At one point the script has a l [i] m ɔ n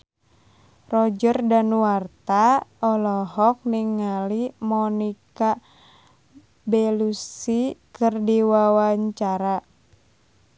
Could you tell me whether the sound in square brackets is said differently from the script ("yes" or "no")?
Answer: no